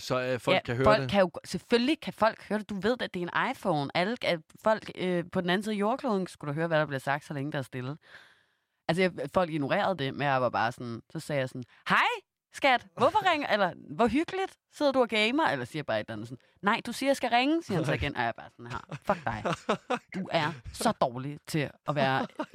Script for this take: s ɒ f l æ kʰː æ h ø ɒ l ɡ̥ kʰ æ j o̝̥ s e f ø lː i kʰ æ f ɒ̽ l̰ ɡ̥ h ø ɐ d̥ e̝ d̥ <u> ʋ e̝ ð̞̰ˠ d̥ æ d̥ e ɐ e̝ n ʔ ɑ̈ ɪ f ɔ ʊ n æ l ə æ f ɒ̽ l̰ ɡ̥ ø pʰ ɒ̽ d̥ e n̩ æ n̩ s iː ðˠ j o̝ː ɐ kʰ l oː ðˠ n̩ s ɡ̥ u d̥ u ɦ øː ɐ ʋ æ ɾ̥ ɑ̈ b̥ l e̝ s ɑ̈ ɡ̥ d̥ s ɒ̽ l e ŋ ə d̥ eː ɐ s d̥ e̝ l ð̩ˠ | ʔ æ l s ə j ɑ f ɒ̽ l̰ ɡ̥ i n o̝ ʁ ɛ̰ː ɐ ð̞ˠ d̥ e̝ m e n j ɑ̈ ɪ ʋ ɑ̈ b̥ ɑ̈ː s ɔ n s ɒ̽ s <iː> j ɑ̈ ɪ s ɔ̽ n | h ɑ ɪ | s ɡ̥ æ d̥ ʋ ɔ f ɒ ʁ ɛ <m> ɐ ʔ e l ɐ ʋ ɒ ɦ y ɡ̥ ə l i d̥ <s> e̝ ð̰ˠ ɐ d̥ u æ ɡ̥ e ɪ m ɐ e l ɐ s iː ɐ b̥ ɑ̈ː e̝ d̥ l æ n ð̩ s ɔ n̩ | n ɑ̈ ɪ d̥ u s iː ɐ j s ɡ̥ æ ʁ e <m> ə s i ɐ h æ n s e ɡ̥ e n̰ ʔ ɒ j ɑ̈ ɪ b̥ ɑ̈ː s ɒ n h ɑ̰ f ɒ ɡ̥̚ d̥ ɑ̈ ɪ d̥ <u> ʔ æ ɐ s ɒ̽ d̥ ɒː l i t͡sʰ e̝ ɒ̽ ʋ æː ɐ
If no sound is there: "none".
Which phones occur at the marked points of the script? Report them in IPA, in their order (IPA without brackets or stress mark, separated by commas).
u, ɛː, ŋ, s, ŋ, u